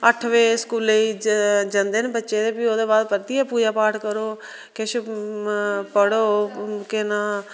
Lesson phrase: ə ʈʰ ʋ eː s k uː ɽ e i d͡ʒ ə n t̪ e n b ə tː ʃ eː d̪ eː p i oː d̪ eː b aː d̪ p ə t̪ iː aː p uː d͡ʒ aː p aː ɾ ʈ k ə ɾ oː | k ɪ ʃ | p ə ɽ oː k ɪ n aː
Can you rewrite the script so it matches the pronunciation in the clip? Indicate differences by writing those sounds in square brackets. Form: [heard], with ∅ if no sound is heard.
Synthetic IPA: ə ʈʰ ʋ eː s k uː [l] e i d͡ʒ ə n [d̪] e n b ə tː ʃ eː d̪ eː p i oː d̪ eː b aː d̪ p ə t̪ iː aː p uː d͡ʒ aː p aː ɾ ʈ k ə ɾ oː | k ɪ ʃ | p ə ɽ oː k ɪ n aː

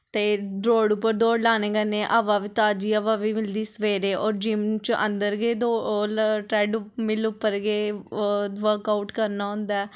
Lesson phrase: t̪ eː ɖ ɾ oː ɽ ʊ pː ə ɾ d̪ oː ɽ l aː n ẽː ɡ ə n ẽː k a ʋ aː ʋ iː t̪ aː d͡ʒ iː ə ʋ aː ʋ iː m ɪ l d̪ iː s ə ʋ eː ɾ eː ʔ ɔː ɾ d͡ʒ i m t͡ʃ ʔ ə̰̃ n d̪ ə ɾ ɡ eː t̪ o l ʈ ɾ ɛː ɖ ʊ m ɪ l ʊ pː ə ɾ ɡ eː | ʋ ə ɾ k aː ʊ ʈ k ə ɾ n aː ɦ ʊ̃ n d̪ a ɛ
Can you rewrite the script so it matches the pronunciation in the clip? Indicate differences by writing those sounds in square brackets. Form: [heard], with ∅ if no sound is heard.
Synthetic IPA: t̪ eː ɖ ɾ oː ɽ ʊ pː ə ɾ d̪ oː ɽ l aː n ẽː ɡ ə n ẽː [ʔ] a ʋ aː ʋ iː t̪ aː d͡ʒ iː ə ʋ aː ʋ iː m ɪ l d̪ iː s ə ʋ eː ɾ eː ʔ ɔː ɾ d͡ʒ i m t͡ʃ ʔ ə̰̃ n d̪ ə ɾ ɡ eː [d̪] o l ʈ ɾ ɛː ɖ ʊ m ɪ l ʊ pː ə ɾ ɡ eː | ʋ ə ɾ k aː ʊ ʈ k ə ɾ n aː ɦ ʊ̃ n d̪ a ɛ

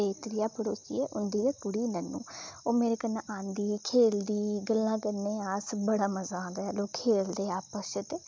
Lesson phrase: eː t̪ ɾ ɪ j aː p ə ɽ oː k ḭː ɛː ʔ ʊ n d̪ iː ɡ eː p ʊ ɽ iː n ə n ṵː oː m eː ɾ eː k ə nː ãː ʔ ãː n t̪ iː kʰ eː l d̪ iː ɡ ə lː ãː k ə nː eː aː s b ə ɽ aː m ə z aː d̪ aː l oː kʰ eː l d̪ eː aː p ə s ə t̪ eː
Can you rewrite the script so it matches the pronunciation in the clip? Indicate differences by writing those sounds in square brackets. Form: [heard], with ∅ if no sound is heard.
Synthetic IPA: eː t̪ ɾ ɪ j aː p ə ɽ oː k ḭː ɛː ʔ ʊ n d̪ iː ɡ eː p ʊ ɽ iː n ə n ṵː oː m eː ɾ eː k ə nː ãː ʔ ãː n [d̪] iː kʰ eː l d̪ iː ɡ ə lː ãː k ə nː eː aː s b ə ɽ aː m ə z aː d̪ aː l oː kʰ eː l d̪ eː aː p ə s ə t̪ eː

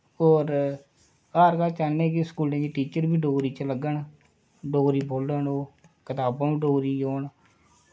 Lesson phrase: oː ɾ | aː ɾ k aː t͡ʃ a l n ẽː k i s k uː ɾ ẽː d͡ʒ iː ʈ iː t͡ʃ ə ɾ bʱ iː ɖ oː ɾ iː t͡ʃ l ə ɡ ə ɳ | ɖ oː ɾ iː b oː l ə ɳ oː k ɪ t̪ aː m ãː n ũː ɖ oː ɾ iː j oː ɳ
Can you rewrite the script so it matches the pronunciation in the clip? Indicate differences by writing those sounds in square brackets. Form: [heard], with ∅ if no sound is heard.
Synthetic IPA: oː ɾ | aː ɾ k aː t͡ʃ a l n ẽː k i s k uː [l] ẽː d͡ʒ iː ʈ iː t͡ʃ ə ɾ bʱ iː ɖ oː ɾ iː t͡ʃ l ə ɡ ə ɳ | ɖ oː ɾ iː b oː l ə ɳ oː k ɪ t̪ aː [b] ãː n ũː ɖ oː ɾ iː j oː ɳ

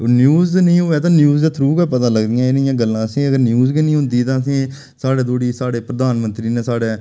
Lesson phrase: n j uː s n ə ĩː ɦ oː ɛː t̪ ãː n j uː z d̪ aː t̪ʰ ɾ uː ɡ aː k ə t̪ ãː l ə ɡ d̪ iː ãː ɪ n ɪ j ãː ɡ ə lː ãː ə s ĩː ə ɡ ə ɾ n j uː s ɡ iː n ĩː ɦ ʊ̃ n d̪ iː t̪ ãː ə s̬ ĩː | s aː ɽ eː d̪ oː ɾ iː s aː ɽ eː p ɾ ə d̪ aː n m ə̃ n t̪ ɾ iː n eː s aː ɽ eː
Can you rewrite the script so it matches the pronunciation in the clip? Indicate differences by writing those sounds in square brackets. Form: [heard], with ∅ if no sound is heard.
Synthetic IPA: n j uː [z] n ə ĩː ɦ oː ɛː t̪ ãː n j uː z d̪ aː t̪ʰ ɾ uː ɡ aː [p] ə t̪ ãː l ə ɡ d̪ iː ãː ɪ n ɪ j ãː ɡ ə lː ãː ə s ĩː ə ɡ ə ɾ n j uː [z] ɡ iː n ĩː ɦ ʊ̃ n d̪ iː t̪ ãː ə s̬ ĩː | s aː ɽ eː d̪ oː [ɽ] iː s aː ɽ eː p ɾ ə d̪ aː n m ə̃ n t̪ ɾ iː n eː s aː ɽ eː

